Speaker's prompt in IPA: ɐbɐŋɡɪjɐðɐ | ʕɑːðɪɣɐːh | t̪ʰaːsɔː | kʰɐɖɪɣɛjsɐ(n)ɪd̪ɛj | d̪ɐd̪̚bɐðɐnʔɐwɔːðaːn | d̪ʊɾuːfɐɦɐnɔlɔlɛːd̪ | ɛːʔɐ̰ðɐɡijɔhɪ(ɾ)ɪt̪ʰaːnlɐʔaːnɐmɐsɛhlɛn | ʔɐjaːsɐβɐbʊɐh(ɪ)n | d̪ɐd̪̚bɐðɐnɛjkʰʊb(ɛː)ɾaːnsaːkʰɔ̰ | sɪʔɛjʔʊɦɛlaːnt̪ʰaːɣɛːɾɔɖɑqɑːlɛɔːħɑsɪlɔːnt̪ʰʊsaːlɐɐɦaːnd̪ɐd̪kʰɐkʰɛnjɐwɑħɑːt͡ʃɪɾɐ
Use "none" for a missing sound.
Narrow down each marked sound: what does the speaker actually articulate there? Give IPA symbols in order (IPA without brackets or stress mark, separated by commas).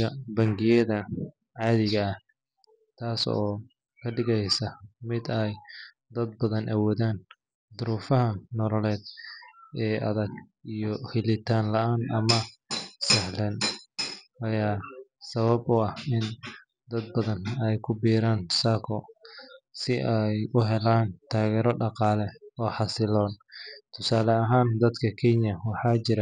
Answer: m, l, ɪ, iː